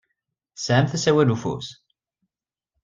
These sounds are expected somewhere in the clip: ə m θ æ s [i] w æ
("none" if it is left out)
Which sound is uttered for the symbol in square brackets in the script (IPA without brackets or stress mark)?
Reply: æ